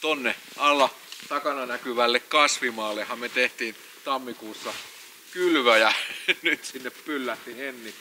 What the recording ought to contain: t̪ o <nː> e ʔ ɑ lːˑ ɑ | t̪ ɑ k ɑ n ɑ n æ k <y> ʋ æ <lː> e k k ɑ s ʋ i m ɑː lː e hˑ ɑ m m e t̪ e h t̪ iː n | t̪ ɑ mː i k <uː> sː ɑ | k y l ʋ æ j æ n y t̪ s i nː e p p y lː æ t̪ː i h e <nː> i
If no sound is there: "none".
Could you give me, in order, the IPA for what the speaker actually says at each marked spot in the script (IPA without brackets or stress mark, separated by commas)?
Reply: nː, y, lː, uː, nː